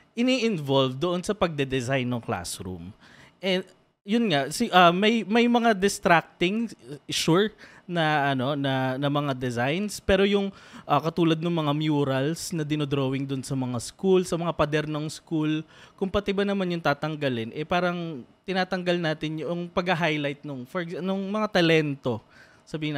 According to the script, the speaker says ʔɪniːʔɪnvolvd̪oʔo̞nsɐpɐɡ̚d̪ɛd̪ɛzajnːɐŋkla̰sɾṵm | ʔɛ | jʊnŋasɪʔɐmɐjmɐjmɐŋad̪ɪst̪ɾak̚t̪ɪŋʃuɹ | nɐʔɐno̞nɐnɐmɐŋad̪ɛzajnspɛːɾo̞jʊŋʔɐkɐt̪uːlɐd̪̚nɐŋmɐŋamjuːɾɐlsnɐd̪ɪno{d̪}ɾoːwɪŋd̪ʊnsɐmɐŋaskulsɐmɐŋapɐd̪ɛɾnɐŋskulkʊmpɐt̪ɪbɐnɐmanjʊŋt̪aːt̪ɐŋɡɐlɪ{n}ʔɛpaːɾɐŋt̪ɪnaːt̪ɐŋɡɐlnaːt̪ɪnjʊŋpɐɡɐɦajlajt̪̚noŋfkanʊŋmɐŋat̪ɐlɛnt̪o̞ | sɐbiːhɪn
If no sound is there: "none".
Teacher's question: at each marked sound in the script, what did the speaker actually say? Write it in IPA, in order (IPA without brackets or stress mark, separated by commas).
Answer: d̪, n